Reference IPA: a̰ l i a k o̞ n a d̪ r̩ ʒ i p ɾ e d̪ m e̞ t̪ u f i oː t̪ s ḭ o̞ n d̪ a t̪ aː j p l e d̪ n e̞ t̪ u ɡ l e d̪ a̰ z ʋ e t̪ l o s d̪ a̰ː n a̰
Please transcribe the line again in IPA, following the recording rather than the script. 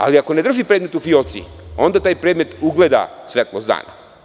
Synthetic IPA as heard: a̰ l i a k o̞ n e d̪ r̩ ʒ i p ɾ e d̪ m e̞ t̪ u f i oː t̪ s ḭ o̞ n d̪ a t̪ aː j p ɾ e d̪ m e̞ t̪ u ɡ l e d̪ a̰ s ʋ e t̪ l o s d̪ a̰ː n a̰